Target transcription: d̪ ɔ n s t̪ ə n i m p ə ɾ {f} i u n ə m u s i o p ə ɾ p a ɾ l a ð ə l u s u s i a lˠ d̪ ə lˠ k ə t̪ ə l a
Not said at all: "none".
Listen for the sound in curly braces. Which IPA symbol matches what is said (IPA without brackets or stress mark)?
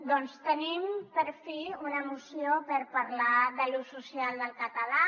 f